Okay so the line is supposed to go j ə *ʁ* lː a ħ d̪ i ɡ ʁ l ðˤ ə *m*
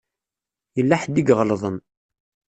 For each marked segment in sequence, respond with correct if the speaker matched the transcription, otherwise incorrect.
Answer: incorrect, incorrect

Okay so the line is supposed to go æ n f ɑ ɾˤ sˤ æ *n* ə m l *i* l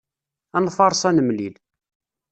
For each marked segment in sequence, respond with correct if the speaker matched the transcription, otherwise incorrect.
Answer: correct, correct

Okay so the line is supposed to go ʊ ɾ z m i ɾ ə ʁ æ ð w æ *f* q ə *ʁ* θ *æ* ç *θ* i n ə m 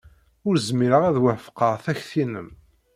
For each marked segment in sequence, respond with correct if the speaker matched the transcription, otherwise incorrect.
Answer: correct, correct, correct, correct

